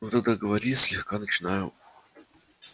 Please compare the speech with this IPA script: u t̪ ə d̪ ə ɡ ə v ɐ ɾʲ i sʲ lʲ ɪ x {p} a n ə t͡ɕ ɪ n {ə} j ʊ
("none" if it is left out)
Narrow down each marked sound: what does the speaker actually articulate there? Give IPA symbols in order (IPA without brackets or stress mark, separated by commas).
k, a